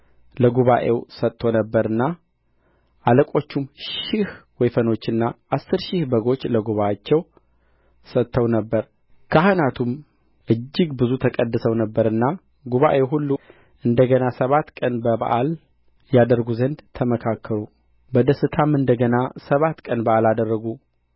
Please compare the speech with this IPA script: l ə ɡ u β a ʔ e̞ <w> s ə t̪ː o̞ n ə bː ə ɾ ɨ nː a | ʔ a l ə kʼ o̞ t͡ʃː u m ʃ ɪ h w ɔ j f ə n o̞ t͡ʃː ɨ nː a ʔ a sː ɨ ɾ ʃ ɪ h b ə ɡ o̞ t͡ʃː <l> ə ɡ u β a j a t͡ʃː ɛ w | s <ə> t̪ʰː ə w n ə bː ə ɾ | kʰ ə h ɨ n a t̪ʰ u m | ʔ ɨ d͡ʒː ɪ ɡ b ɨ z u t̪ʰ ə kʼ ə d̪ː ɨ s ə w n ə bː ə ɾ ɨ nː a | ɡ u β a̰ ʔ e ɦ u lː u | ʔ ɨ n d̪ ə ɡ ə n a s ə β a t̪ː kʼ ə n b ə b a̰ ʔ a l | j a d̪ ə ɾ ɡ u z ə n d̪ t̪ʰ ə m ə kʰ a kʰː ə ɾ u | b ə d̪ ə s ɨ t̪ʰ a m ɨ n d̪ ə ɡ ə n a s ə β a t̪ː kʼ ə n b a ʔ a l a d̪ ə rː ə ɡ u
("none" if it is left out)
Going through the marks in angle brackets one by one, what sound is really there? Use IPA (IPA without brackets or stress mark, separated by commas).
w, l, ə